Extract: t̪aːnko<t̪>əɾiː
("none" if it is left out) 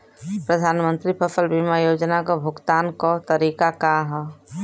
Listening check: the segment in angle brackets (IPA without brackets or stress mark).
t̪